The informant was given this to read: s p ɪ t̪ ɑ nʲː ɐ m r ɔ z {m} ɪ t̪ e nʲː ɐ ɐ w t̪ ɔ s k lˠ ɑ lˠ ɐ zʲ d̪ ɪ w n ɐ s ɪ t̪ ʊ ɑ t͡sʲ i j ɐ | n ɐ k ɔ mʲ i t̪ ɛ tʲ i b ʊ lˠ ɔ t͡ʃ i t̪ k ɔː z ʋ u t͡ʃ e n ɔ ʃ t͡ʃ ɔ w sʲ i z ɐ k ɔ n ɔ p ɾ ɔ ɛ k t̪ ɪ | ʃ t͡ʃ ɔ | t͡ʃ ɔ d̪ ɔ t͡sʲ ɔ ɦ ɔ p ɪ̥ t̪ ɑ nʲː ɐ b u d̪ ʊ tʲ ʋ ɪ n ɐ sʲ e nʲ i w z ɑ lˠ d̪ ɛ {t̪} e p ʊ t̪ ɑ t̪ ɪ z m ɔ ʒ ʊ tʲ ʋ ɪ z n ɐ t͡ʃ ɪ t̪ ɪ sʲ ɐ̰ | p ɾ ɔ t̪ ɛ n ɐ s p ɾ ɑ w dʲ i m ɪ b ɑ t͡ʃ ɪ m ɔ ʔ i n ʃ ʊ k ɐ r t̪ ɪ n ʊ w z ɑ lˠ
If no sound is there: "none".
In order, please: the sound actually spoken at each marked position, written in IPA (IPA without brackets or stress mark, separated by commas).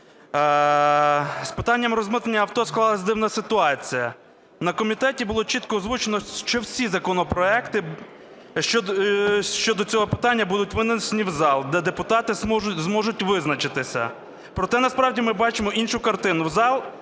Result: m, d̪